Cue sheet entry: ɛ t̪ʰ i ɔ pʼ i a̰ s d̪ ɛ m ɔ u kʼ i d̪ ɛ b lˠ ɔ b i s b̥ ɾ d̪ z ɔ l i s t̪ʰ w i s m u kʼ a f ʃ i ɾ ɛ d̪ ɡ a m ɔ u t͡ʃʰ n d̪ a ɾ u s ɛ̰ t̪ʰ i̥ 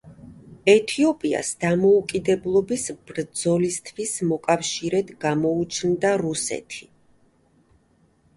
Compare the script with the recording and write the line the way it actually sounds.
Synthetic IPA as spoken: ɛ t̪ʰ i ɔ pʼ i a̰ s d̪ a m ɔ u kʼ i d̪ ɛ b lˠ ɔ b i s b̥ ɾ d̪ z ɔ l i s t̪ʰ w i s m ɔ kʼ a f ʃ i ɾ ɛ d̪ ɡ a m ɔ u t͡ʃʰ n d̪ a ɾ u s ɛ̰ t̪ʰ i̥